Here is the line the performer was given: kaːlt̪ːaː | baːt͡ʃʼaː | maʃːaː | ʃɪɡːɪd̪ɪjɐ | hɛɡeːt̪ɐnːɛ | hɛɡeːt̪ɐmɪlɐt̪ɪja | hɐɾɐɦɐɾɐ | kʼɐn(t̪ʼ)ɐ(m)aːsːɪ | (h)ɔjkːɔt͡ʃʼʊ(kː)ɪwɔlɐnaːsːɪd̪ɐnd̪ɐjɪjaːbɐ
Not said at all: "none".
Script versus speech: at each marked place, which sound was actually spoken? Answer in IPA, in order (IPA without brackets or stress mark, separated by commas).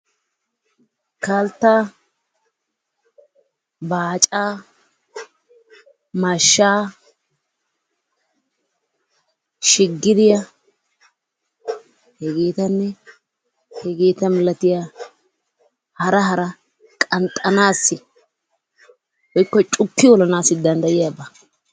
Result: t̪ʼ, n, h, kː